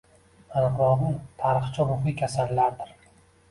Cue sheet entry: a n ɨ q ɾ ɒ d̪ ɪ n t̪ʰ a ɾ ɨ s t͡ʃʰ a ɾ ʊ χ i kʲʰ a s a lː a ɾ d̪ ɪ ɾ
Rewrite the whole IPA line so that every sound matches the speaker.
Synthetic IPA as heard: a n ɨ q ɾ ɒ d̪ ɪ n t̪ʰ a ɾ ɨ χ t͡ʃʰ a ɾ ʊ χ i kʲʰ a s a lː a ɾ d̪ ɪ ɾ